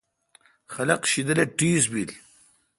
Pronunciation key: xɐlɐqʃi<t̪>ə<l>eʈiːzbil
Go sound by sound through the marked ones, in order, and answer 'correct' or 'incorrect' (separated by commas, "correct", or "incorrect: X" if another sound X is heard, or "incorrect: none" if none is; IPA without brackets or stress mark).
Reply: incorrect: d̪, correct